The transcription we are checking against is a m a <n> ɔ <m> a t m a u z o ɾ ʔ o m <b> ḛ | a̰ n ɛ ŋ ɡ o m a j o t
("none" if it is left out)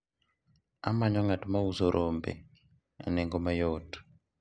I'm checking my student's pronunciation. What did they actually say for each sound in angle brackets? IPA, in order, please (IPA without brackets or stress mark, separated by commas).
ɲ, ŋ, b